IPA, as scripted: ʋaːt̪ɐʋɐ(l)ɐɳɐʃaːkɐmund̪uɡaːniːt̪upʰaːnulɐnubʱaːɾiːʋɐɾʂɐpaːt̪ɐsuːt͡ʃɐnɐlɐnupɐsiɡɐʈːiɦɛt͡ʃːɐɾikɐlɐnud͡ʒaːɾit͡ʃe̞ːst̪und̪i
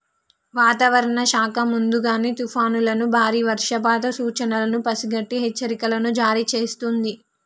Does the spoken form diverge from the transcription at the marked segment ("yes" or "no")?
yes